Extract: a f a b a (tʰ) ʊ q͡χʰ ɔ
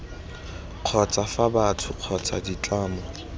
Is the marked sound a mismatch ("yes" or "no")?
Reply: no